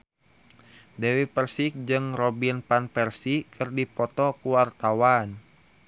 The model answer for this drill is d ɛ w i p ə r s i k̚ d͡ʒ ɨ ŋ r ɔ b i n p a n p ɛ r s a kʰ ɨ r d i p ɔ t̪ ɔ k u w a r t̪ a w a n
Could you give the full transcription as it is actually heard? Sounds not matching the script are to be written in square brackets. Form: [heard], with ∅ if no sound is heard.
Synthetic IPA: d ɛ w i p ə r s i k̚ d͡ʒ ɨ ŋ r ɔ b i n p a n p ɛ r s [i] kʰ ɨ r d i p ɔ t̪ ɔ k u w a r t̪ a w a n